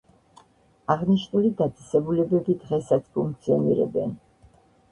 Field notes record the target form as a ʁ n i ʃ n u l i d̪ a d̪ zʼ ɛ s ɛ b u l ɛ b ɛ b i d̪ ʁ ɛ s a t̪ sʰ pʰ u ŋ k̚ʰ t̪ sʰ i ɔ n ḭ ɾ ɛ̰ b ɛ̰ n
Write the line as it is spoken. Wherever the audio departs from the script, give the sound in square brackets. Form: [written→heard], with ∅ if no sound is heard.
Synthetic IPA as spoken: a ʁ n i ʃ n u l i d̪ a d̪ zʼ ɛ s ɛ b u l ɛ b ɛ b i d̪ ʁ ɛ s a t̪ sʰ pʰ u ŋ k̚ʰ t̪ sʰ i ɔ n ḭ ɾ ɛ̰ b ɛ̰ n